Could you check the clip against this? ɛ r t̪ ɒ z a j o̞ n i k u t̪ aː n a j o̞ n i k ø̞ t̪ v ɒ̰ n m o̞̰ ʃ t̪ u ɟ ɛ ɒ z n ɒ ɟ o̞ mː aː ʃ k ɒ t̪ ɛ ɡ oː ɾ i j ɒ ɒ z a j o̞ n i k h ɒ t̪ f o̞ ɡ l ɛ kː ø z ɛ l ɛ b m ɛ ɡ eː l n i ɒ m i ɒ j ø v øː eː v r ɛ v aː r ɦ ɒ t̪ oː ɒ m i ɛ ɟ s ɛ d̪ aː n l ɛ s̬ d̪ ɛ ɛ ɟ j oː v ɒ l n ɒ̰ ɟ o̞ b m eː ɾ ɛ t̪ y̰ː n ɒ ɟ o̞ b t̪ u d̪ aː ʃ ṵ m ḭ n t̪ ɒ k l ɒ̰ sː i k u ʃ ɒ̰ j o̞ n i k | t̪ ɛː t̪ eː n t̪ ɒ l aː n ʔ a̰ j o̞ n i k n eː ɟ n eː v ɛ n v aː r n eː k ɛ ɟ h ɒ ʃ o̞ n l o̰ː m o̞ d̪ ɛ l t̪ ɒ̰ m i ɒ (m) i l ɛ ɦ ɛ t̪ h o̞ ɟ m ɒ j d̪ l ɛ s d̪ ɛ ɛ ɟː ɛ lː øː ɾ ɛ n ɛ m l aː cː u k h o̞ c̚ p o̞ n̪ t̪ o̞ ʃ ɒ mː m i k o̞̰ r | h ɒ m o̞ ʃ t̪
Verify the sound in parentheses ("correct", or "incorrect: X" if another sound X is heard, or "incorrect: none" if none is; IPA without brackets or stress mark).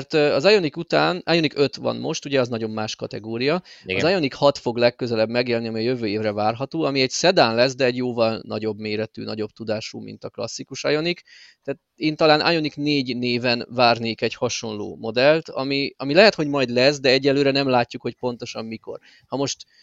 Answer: correct